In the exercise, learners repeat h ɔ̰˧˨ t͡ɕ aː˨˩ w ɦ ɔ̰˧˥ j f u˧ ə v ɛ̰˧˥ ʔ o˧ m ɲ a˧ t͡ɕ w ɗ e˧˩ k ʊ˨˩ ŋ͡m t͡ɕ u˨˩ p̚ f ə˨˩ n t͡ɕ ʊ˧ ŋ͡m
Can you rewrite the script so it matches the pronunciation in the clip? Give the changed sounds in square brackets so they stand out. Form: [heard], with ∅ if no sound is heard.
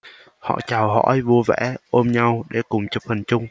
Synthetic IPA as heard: h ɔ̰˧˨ t͡ɕ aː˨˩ w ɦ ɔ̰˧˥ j [v] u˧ ə v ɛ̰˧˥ ʔ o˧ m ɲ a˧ [∅] w ɗ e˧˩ k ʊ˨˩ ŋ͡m t͡ɕ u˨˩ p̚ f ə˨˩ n t͡ɕ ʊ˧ ŋ͡m